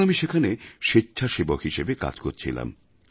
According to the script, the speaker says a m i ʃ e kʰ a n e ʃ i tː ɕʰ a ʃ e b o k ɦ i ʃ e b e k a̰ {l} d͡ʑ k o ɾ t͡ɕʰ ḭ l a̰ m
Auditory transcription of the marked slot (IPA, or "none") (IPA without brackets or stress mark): none